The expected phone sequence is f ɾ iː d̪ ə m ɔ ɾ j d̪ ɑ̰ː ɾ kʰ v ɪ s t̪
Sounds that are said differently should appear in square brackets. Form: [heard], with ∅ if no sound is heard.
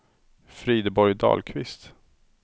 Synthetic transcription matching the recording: f ɾ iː d̪ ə [b] ɔ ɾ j d̪ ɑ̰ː [l] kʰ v ɪ s t̪